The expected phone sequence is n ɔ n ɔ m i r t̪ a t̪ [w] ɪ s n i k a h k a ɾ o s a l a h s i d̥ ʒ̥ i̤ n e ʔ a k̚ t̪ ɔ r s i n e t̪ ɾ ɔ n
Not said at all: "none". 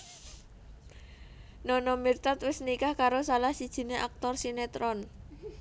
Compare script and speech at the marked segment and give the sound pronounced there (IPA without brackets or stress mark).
w